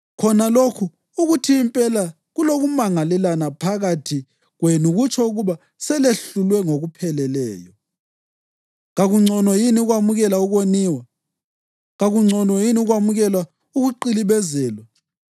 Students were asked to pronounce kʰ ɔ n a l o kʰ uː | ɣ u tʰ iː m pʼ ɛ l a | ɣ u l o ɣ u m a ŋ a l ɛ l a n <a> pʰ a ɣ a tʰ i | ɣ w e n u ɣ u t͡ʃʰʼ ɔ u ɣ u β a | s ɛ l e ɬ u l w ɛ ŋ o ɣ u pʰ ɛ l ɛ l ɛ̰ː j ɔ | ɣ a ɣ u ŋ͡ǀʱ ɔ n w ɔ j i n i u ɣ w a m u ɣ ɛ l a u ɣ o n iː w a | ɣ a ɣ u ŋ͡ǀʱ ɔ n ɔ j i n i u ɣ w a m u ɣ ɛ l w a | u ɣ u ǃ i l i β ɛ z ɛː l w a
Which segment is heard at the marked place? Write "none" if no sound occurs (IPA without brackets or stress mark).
a